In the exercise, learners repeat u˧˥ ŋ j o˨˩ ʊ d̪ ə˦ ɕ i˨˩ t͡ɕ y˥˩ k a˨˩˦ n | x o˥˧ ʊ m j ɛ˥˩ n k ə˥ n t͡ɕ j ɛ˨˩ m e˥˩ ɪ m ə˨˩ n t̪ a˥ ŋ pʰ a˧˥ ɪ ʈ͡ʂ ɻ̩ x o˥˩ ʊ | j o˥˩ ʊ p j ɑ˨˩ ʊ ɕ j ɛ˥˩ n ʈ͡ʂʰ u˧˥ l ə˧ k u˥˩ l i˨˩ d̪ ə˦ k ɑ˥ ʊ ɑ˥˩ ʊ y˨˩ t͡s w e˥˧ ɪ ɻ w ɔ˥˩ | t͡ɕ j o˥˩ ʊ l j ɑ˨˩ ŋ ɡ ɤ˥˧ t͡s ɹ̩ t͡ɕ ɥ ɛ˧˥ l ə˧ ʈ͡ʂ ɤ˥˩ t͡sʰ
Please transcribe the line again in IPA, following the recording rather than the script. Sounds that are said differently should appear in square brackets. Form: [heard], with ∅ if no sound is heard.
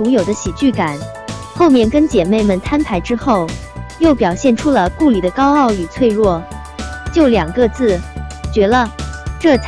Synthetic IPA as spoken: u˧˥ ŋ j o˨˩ ʊ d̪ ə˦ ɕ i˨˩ t͡ɕ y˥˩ k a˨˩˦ n | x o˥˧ ʊ m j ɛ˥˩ n k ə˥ n t͡ɕ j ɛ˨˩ m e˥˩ ɪ m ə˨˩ n [t̪ʰ] a˥ [n] pʰ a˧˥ ɪ ʈ͡ʂ ɻ̩ x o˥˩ ʊ | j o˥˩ ʊ p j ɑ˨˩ ʊ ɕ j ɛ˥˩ n ʈ͡ʂʰ [u˥] l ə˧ k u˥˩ l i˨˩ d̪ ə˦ k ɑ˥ ʊ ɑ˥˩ ʊ y˨˩ [t͡sʰ] w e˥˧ ɪ ɻ w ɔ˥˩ | t͡ɕ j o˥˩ ʊ l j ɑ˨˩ ŋ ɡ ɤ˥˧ t͡s ɹ̩ t͡ɕ ɥ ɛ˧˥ l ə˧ ʈ͡ʂ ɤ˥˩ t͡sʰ